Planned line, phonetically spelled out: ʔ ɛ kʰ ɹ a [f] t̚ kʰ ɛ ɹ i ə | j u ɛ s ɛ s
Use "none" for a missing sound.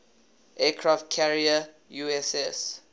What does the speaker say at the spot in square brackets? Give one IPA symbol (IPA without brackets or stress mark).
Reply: f